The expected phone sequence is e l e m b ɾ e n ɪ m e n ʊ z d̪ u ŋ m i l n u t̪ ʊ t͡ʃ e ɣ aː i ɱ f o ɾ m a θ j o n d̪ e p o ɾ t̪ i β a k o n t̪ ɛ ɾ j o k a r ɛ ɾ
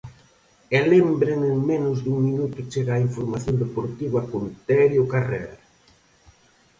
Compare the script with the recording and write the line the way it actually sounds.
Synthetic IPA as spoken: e l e m b ɾ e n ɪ m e n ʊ z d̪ u ŋ m i n u t̪ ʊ t͡ʃ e ɣ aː i ɱ f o ɾ m a θ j o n d̪ e p o ɾ t̪ i β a k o n t̪ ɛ ɾ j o k a r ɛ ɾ